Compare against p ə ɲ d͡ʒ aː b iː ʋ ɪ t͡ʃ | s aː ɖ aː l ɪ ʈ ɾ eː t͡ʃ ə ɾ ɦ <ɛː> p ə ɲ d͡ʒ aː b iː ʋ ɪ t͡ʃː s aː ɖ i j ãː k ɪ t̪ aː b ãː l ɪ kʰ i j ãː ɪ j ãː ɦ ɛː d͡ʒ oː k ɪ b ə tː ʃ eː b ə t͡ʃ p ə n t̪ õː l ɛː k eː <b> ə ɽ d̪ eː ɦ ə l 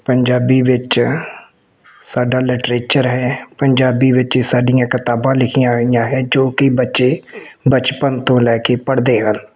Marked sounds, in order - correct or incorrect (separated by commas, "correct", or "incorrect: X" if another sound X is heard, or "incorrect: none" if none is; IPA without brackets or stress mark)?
correct, incorrect: p